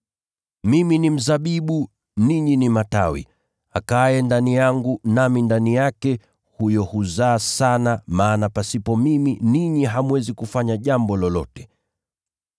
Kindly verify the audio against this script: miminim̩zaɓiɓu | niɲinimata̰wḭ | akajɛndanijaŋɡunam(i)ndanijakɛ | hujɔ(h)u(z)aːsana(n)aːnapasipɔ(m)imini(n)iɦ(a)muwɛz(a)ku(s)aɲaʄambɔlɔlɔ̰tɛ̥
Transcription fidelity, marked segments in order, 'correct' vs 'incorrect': correct, correct, correct, incorrect: m, correct, incorrect: ɲ, correct, incorrect: i, incorrect: f

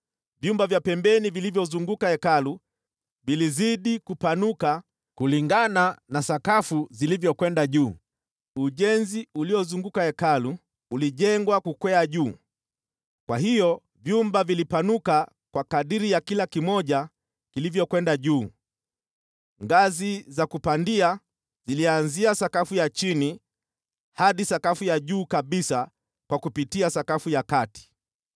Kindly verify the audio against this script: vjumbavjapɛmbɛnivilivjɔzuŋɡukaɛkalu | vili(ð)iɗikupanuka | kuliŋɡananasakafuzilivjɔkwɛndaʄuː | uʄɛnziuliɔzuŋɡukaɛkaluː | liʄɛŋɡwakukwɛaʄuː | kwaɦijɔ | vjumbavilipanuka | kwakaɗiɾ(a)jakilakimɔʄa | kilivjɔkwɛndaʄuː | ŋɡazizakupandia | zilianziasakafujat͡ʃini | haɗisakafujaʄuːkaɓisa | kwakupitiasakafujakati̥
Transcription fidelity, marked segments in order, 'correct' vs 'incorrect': incorrect: z, incorrect: i

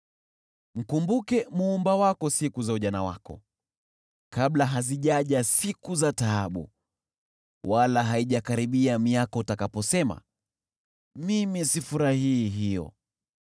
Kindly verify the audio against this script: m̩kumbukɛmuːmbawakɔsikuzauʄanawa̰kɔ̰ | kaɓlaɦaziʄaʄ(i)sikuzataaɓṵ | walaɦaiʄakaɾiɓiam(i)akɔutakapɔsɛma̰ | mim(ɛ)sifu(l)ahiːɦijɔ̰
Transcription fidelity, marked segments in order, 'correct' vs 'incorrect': incorrect: a, correct, incorrect: i, incorrect: ɾ

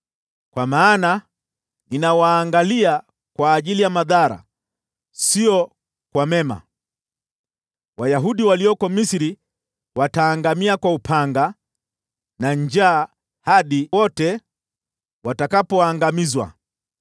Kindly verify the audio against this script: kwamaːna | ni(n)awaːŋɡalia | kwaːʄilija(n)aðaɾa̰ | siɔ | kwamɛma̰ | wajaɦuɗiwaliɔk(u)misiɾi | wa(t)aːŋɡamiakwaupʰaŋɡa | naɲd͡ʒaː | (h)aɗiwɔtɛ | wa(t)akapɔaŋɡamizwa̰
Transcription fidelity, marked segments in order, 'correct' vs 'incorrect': correct, incorrect: m, incorrect: ɔ, correct, correct, correct

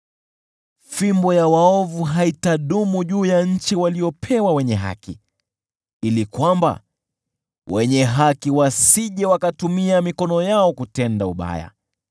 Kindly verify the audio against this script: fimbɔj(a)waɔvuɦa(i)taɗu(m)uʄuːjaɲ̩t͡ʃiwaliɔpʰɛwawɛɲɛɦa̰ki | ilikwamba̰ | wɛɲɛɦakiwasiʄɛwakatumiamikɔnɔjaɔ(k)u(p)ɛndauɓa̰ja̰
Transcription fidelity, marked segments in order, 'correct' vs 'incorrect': correct, correct, correct, correct, incorrect: t

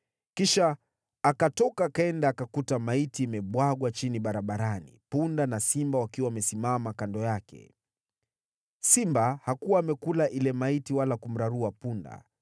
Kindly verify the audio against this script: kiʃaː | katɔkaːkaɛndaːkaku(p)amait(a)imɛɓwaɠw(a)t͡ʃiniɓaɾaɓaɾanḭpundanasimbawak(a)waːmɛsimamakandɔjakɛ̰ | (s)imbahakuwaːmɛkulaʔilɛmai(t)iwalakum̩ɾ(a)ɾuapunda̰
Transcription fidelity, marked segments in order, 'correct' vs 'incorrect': incorrect: t, incorrect: i, correct, incorrect: i, correct, correct, correct

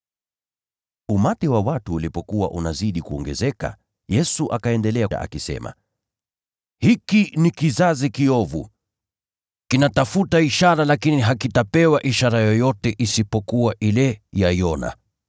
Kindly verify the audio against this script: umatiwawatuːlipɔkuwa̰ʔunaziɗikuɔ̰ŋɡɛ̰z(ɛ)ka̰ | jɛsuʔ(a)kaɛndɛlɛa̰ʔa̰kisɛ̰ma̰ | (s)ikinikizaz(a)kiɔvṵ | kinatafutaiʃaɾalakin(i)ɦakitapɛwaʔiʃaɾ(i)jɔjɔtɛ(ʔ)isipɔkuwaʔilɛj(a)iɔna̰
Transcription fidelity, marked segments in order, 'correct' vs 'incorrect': correct, correct, incorrect: h, incorrect: i, correct, incorrect: a, correct, correct

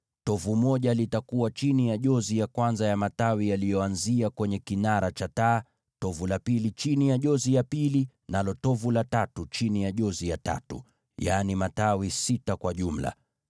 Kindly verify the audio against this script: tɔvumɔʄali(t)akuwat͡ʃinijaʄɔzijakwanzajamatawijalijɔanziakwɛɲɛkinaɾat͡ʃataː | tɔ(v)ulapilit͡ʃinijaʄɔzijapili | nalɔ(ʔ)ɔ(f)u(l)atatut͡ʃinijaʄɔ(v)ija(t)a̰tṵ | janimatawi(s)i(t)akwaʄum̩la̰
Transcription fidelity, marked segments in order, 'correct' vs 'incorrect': correct, correct, incorrect: t, incorrect: v, correct, incorrect: z, correct, correct, correct

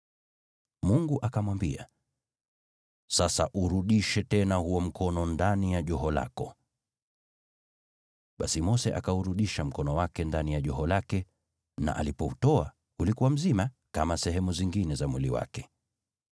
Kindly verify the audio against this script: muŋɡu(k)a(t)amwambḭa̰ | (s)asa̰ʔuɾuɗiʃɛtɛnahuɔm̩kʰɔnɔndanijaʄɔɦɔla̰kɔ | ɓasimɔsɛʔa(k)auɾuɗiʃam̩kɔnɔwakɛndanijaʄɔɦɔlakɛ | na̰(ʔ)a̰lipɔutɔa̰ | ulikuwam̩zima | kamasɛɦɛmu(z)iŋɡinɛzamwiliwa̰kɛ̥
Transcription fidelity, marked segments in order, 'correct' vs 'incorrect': incorrect: ʔ, incorrect: k, correct, correct, correct, correct

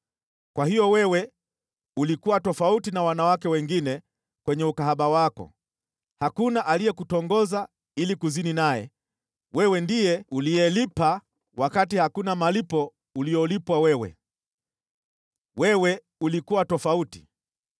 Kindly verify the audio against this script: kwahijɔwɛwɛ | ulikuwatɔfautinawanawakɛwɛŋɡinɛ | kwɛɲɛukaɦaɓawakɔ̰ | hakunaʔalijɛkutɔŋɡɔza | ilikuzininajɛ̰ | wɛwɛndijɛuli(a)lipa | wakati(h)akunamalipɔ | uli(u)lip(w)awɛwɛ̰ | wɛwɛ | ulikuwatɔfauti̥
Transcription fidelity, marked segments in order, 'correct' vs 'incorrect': incorrect: ɛ, correct, incorrect: ɔ, correct

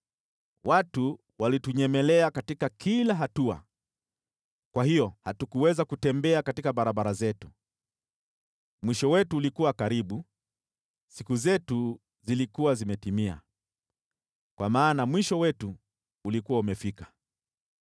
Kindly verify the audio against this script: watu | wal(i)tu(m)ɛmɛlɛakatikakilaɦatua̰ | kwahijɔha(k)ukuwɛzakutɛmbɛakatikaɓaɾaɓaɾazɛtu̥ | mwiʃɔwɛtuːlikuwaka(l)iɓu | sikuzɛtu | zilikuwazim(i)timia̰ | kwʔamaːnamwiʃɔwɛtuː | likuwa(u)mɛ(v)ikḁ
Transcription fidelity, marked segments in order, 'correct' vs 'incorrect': correct, incorrect: ɲ, incorrect: t, incorrect: ɾ, incorrect: ɛ, correct, incorrect: f

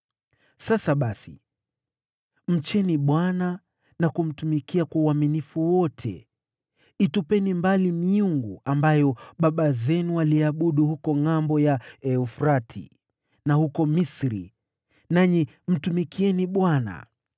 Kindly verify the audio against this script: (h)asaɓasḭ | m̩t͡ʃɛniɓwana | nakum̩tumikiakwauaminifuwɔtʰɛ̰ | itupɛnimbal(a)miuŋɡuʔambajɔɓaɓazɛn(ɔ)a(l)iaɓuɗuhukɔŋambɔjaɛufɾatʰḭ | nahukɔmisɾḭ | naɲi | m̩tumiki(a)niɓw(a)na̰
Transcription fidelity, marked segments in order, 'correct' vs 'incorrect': incorrect: s, incorrect: i, incorrect: u, correct, incorrect: ɛ, correct

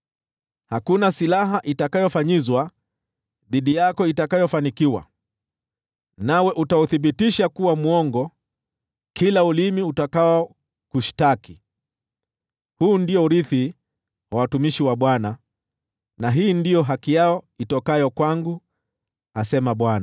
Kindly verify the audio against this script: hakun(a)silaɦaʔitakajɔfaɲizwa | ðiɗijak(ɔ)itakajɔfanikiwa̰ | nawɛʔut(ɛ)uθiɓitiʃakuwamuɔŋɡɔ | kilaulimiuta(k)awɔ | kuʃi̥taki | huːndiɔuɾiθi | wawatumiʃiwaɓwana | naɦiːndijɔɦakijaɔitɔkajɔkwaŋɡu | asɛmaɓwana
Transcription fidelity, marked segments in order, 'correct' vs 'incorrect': correct, correct, incorrect: a, correct

